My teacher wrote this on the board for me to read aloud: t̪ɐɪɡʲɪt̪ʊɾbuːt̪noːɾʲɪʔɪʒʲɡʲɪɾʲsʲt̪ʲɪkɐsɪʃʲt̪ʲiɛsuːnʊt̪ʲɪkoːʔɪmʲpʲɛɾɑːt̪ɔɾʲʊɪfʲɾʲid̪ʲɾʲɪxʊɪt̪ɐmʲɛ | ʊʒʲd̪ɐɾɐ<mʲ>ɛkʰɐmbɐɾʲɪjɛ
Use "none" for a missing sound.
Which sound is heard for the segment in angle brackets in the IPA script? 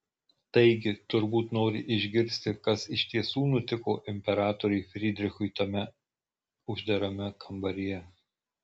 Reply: mʲ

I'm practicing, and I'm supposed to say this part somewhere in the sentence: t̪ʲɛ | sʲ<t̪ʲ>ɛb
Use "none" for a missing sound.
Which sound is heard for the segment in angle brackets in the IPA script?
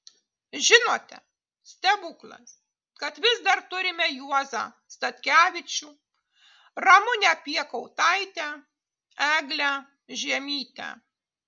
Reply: t̪ʲ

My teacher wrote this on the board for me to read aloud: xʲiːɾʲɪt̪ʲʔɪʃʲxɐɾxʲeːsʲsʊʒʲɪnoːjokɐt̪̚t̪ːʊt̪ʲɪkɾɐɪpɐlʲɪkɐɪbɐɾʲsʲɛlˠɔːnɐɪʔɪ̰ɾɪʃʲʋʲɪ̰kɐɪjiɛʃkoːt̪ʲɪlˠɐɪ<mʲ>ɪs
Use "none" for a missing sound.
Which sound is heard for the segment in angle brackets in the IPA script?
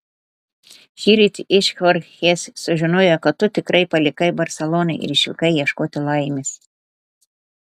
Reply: mʲ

